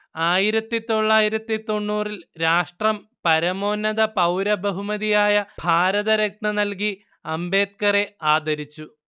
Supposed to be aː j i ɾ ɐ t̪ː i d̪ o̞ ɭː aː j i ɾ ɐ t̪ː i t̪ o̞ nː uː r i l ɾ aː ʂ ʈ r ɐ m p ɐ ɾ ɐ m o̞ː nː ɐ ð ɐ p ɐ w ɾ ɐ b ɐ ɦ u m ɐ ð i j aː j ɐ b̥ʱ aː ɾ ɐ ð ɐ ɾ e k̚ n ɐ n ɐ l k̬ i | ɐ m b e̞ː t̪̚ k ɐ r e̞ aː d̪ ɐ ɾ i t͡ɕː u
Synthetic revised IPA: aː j i ɾ ɐ t̪ː i t̪ o̞ ɭː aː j i ɾ ɐ t̪ː i t̪ o̞ ɳː uː r i l ɾ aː ʂ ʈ r ɐ m p ɐ ɾ ɐ m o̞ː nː ɐ ð ɐ p ɐ w ɾ ɐ b ɐ ɦ u m ɐ ð i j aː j ɐ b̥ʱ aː ɾ ɐ ð ɐ ɾ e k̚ n ɐ n ɐ l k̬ i | ɐ m b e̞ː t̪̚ k ɐ r e̞ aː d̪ ɐ ɾ i t͡ɕː u